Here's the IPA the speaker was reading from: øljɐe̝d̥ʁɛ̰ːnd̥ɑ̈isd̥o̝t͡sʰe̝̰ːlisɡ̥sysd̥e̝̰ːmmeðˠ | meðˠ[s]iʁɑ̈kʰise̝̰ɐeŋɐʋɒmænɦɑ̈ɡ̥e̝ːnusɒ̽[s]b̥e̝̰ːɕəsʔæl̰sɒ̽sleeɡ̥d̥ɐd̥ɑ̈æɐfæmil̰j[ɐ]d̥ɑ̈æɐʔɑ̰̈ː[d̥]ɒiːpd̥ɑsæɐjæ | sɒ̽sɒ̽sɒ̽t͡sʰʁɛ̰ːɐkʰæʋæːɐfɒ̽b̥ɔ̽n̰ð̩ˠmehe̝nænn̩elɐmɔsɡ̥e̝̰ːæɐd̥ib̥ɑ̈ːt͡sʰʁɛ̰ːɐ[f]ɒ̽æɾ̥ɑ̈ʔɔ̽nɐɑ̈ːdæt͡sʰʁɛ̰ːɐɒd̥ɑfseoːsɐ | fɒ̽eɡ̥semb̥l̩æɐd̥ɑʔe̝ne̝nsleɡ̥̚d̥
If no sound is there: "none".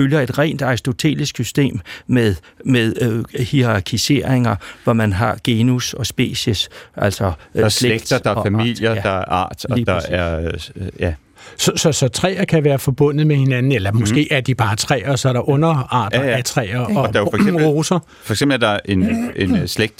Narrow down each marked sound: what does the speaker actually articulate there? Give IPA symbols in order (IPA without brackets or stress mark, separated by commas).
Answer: h, s, ɐ, d̥, s